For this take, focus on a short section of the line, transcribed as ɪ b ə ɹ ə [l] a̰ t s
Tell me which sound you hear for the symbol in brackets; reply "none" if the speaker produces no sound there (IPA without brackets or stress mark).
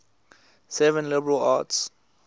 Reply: l